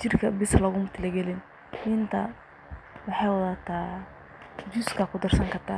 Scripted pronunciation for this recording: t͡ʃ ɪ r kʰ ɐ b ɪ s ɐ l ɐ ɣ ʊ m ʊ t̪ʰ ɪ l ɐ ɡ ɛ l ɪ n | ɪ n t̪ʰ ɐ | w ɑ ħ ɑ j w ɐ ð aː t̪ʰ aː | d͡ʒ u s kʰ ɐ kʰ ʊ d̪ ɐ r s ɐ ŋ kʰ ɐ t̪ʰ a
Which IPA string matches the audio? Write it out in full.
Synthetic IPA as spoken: t͡ʃ ɪ r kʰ ɐ b ɪ s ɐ l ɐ ɣ ʊ m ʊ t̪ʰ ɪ l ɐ ɡ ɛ l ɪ n | ɪ n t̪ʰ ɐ | w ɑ ħ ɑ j w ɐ ð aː t̪ʰ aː | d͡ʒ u s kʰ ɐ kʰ ʊ d̪ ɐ r s ɐ ŋ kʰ ɐ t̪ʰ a

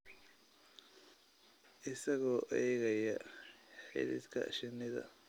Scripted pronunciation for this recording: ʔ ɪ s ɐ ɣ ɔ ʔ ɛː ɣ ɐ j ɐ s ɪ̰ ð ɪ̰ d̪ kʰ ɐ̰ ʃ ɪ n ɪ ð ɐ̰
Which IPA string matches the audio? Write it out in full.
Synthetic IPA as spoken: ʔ ɪ s ɐ ɣ ɔː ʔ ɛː ɣ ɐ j ɐ ħ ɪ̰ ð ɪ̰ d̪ kʰ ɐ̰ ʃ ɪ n ɪ ð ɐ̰

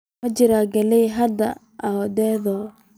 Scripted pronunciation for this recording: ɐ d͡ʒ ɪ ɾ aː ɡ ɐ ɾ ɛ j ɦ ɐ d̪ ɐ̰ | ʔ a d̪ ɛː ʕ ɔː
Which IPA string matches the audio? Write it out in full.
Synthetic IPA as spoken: ɐ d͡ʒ ɪ ɾ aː ɡ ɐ l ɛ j ɦ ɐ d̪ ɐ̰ | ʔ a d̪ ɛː ð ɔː

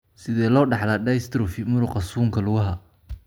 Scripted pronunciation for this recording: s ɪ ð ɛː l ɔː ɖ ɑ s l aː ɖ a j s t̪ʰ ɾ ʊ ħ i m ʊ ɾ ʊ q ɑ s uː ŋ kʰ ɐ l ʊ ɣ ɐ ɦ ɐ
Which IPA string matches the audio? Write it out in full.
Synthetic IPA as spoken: s ɪ ð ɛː l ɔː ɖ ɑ ħ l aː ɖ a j s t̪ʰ ɾ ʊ f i m ʊ ɾ ʊ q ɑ s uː ŋ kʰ ɐ l ʊ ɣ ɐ ɦ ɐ

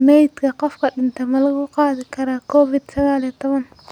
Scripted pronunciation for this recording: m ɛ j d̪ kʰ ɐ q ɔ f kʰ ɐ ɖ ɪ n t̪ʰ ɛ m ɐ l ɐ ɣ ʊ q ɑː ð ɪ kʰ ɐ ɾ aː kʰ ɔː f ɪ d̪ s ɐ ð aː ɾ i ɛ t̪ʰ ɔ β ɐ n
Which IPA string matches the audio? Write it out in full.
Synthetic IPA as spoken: m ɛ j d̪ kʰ ɐ q ɔ f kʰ ɐ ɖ ɪ n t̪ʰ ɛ m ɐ l ɐ ɣ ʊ q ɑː ð ɪ kʰ ɐ ɾ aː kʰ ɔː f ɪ d̪ s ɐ ɣ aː l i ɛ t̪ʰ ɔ β ɐ n

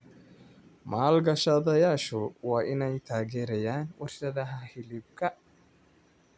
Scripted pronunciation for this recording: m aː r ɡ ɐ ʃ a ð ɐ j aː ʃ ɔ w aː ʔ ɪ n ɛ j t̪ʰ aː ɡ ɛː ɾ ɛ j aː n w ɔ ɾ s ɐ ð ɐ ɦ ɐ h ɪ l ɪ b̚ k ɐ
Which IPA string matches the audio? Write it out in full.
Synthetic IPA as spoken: m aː l ɡ ɐ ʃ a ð ɐ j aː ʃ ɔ w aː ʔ ɪ n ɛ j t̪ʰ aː ɡ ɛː ɾ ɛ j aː n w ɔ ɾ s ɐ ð ɐ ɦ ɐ h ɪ l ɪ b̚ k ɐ

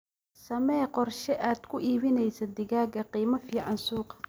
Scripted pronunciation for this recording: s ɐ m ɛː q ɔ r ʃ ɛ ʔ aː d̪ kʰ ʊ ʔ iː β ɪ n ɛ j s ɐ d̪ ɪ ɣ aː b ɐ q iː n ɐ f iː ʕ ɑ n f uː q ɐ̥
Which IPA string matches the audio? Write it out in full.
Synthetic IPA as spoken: s ɐ m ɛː q ɔ r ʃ ɛ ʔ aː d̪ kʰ ʊ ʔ iː β ɪ n ɛ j s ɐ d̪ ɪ ɣ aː ɡ ɐ q iː m ɐ f iː ʕ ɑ n s uː q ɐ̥

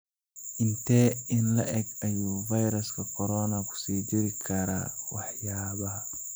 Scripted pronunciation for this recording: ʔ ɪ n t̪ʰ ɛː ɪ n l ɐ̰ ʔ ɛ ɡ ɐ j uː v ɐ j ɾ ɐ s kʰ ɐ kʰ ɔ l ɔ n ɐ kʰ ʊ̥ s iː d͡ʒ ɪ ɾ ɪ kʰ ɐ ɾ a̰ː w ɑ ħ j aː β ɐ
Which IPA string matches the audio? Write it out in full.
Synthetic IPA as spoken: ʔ ɪ n t̪ʰ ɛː ɪ n l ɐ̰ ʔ ɛ ɡ ɐ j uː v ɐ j ɾ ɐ s kʰ ɐ kʰ ɔ ɾ ɔ n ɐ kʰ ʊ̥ s iː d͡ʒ ɪ ɾ ɪ kʰ ɐ ɾ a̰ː w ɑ ħ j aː β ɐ

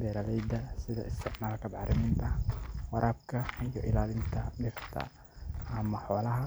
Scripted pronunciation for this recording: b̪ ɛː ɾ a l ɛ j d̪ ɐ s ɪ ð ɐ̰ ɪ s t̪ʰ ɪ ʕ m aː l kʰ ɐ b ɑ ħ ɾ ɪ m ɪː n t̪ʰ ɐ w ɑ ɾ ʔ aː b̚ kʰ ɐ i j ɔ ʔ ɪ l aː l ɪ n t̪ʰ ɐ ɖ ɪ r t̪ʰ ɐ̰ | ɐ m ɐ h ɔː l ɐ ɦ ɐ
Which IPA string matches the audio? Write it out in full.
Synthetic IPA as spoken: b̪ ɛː ɾ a l ɛ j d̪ ɐ s ɪ ð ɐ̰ ɪ s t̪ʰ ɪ ʕ m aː l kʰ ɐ b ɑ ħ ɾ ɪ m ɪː n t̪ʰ ɐ w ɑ ɾ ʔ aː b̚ kʰ ɐ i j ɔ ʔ ɪ l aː l ɪ n t̪ʰ ɐ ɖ ɪ r t̪ʰ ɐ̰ | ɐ m ɐ ħ ɔː l ɐ ɦ ɐ

